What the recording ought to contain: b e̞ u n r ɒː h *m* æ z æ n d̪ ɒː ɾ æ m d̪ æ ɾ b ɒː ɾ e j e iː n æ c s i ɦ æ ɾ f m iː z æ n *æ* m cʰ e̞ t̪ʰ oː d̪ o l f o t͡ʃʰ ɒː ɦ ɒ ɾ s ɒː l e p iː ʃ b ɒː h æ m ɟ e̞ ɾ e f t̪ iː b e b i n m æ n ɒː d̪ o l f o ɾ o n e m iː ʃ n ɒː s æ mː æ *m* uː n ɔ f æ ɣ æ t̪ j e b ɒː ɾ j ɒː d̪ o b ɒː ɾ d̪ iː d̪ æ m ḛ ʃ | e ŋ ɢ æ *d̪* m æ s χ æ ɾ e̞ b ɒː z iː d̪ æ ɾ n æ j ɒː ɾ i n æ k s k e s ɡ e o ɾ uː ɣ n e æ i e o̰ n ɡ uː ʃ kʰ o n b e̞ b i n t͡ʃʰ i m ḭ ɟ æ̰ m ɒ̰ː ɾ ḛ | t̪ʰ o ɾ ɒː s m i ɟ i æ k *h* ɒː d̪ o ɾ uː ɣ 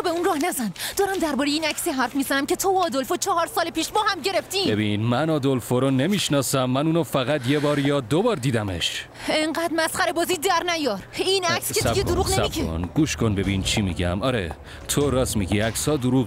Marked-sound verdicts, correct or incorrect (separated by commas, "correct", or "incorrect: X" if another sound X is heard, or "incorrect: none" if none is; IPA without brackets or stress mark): incorrect: n, correct, incorrect: n, correct, incorrect: s